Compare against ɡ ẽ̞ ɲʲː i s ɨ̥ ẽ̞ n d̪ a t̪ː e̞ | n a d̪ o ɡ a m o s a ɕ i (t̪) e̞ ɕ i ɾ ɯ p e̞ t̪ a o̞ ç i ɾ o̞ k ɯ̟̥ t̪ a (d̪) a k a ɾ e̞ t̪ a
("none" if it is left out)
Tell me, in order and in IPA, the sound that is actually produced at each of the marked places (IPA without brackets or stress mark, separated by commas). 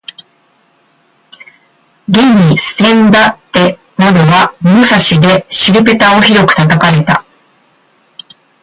d̪, t̪